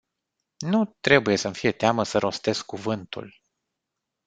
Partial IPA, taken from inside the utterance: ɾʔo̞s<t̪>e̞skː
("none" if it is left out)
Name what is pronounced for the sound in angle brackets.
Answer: t̪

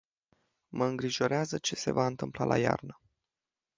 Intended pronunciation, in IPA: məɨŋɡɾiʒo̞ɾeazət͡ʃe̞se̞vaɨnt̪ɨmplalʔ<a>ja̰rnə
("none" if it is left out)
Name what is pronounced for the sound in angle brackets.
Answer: a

